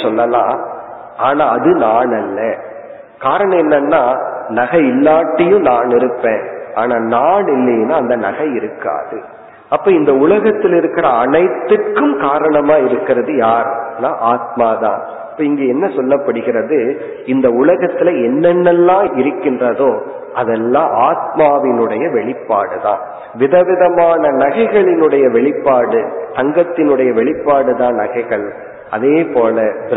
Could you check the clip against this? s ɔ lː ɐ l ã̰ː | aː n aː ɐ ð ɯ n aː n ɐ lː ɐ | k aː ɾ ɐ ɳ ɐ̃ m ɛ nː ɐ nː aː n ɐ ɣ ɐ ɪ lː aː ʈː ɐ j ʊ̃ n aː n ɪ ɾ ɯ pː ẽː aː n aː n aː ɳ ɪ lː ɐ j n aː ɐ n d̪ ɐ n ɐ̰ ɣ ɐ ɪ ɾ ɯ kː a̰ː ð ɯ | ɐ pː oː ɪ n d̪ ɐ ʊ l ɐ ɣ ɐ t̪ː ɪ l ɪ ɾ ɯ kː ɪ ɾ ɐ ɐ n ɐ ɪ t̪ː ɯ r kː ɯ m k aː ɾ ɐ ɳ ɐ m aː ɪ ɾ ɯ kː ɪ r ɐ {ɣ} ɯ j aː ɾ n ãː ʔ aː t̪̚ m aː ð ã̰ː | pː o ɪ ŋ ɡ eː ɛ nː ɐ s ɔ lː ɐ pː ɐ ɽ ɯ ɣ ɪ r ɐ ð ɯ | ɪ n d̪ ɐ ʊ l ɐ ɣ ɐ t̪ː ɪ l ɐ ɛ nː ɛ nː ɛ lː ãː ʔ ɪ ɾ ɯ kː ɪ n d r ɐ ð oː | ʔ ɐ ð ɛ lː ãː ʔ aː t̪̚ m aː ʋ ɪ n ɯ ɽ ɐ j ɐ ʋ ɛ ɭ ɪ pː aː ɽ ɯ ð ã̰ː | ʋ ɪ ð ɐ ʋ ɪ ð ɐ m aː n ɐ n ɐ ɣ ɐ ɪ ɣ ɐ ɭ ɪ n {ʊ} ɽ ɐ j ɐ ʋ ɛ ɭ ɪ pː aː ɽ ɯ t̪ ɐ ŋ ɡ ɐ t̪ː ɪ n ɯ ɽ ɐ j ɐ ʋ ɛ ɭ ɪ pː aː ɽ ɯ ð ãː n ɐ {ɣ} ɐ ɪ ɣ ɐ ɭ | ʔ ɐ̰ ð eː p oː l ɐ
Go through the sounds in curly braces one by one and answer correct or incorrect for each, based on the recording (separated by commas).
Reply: incorrect, incorrect, correct